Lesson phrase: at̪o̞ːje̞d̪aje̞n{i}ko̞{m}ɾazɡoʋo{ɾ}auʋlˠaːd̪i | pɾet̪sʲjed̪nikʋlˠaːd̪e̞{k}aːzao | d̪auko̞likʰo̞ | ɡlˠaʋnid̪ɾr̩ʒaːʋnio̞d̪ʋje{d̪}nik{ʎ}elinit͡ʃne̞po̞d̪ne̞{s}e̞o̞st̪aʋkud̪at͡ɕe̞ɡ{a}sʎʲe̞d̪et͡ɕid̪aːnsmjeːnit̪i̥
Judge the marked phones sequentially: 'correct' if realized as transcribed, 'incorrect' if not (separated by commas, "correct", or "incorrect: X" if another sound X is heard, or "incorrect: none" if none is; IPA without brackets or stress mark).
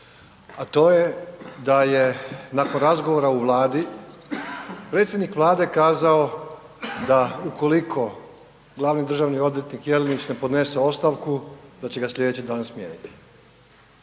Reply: incorrect: a, incorrect: n, correct, correct, incorrect: t̪, incorrect: j, correct, correct